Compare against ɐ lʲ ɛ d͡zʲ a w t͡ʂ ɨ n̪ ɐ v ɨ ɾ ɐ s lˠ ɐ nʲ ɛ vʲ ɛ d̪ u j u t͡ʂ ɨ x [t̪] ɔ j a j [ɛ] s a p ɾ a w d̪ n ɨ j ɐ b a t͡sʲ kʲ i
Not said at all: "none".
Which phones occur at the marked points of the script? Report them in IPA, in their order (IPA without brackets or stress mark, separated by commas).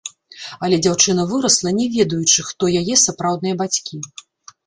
t̪, ɛ